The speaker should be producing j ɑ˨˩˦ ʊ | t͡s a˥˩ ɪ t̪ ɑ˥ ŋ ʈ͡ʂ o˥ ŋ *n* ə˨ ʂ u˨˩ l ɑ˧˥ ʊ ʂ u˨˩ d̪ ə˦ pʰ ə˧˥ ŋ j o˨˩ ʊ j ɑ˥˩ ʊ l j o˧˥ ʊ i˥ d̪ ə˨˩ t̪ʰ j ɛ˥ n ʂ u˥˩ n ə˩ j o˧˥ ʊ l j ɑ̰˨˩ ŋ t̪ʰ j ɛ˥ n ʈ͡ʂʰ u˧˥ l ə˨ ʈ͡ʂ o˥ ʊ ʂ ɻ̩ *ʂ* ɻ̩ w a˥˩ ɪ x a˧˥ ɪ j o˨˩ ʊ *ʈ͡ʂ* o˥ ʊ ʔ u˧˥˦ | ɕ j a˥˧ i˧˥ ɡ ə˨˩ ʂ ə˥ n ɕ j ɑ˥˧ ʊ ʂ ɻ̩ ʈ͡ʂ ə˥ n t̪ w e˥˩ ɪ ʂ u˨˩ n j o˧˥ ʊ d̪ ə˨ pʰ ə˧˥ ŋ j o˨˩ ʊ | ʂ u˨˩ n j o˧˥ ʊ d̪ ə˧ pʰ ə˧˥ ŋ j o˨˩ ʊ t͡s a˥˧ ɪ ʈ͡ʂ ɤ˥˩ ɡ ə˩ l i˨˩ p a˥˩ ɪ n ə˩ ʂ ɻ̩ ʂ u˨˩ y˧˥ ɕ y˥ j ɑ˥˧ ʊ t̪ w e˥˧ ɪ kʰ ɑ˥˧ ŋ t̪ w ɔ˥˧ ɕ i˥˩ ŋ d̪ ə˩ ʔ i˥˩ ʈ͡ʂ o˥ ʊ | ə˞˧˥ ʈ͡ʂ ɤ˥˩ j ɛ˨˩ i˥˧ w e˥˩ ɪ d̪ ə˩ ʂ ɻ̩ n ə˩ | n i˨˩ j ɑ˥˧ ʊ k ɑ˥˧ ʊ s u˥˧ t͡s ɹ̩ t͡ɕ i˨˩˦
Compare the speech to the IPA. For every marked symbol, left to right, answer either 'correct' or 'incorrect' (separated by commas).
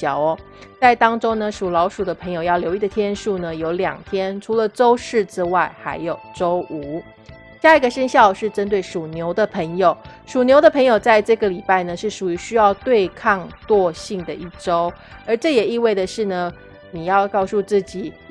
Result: correct, incorrect, correct